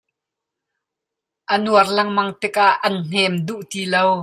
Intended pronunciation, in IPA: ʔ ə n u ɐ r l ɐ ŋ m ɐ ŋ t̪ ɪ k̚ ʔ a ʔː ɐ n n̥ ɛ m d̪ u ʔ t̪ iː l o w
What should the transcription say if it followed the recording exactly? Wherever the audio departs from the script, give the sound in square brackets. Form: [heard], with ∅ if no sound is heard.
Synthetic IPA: ʔ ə n u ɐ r l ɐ ŋ m ɐ ŋ t̪ ɪ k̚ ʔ a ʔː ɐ n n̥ ɛ m d̪ u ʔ t̪ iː l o w